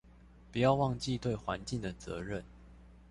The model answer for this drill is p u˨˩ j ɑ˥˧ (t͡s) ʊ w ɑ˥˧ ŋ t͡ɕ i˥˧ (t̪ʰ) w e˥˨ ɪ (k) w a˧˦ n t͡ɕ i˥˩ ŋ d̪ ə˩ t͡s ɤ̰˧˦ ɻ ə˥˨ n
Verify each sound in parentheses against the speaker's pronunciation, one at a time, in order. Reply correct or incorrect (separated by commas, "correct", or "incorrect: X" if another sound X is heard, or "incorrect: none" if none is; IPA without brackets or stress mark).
incorrect: none, incorrect: t̪, incorrect: x